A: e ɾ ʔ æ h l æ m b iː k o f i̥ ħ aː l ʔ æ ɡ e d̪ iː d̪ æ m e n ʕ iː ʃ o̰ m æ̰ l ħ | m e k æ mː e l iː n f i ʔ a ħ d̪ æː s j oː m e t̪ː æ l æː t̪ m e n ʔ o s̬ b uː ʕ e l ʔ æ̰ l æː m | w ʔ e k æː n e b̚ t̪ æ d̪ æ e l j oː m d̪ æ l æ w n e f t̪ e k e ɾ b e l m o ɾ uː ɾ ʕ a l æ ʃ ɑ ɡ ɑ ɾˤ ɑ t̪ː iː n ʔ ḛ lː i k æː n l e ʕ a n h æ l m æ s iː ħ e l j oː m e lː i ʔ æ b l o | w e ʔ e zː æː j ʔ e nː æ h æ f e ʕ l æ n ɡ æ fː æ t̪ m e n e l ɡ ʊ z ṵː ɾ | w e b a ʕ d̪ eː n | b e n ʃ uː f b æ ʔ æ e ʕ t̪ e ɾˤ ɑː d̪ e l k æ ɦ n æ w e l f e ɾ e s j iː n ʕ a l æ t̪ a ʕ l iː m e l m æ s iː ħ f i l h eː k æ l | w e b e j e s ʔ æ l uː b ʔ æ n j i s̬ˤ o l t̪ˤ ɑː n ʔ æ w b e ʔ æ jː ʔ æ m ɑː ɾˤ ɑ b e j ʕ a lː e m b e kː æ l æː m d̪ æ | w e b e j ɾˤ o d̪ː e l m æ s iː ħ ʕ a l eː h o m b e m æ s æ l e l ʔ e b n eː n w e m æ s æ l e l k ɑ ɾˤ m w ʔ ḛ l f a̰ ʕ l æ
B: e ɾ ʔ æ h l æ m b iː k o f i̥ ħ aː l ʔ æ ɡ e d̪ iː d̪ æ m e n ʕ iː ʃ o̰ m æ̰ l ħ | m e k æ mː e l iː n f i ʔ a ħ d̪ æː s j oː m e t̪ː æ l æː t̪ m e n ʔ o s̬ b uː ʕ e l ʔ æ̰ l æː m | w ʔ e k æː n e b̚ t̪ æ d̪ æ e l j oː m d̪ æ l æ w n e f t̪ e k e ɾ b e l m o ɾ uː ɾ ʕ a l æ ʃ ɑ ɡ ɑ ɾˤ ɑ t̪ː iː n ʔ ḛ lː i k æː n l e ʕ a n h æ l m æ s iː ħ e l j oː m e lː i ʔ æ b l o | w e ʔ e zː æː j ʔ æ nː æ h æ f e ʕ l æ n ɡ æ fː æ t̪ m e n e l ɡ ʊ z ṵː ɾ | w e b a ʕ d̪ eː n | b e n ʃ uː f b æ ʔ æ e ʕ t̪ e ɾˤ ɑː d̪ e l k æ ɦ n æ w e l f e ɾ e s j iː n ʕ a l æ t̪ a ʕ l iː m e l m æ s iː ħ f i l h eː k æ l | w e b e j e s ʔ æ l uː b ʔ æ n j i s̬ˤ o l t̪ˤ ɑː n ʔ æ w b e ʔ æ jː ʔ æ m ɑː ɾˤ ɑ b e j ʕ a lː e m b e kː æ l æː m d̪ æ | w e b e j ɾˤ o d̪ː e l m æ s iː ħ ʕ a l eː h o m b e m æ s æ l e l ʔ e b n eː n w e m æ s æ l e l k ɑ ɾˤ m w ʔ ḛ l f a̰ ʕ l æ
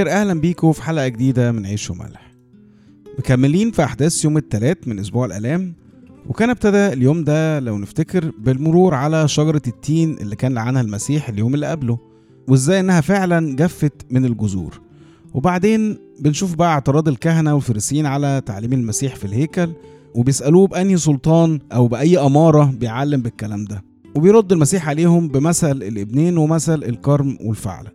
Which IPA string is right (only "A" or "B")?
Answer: A